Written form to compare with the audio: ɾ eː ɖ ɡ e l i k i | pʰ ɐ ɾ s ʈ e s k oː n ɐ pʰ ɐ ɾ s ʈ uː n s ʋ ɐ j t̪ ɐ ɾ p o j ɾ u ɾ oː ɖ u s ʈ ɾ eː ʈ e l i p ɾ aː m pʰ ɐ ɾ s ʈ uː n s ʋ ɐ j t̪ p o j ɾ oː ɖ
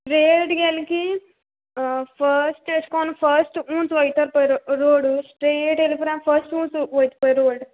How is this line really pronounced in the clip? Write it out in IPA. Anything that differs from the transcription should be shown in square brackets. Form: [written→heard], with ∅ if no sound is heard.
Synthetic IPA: ɾ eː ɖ ɡ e l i k i | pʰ ɐ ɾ s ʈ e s k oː n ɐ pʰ ɐ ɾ s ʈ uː n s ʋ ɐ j t̪ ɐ ɾ p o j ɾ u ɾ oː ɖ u s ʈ ɾ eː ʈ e l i p ɾ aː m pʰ ɐ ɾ s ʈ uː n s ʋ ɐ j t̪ p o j ɾ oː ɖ